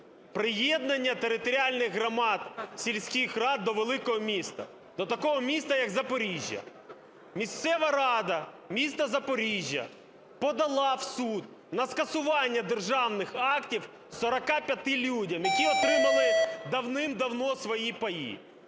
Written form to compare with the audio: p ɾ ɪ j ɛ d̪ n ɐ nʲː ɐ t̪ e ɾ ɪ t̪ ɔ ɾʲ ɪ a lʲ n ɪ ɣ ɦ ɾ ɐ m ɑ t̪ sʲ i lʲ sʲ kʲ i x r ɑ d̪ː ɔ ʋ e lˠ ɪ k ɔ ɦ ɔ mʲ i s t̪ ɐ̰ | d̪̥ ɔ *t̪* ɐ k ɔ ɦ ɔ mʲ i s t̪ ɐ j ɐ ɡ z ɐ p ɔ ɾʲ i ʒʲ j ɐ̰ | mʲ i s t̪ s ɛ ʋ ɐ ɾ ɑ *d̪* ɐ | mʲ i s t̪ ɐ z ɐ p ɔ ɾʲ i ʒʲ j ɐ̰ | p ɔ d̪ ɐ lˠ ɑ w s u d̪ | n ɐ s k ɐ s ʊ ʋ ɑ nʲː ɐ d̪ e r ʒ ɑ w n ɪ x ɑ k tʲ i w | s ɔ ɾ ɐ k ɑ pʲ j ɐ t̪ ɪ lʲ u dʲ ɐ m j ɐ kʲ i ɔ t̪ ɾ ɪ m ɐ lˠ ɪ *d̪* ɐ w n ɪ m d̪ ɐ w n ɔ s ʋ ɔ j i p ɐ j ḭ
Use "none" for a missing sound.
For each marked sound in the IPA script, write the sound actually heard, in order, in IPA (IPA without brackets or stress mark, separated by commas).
t̪, d̪, d̪